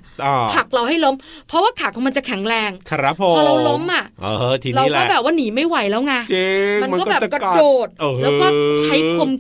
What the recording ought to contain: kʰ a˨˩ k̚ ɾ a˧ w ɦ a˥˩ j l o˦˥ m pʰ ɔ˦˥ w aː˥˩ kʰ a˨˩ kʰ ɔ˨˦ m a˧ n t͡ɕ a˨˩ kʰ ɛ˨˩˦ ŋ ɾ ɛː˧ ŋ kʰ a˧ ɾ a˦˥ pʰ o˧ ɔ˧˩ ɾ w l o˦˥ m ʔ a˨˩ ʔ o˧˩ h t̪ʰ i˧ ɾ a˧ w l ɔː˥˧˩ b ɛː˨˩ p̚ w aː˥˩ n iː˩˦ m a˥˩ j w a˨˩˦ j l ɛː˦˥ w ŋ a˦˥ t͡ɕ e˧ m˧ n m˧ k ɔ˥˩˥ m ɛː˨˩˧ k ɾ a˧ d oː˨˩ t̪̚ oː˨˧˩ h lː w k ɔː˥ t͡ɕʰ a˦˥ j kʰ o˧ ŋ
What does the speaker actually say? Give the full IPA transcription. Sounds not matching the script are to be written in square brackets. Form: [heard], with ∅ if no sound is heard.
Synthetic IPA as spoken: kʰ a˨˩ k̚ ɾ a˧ w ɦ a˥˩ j l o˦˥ m pʰ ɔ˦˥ w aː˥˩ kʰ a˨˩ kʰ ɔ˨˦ m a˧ n t͡ɕ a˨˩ kʰ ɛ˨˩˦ ŋ ɾ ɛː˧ ŋ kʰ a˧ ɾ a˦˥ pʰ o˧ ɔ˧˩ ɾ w l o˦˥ m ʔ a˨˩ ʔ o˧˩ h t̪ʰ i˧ ɾ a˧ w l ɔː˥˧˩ b ɛː˨˩ p̚ w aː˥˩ n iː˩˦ m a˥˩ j w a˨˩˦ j l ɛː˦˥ w ŋ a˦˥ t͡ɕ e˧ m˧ n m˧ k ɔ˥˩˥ [b] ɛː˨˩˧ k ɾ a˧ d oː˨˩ t̪̚ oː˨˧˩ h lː w k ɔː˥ t͡ɕʰ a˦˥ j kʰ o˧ [m]